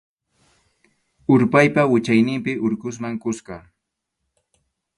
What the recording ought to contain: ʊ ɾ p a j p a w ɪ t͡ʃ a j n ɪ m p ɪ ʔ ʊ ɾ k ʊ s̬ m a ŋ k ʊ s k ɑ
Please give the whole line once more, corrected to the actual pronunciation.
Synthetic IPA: ʊ ɾ p a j p a w ɪ t͡ʃ a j n ɪ m p ɪ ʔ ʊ ɾ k ʊ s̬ m a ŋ k ʊ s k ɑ